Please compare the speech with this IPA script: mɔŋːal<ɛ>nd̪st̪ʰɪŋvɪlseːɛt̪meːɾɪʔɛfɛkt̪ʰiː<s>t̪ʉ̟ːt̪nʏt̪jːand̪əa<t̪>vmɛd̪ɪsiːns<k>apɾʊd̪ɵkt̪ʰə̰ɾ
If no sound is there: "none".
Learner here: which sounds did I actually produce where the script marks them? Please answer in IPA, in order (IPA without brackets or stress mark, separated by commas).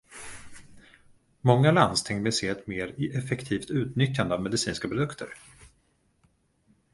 a, f, none, k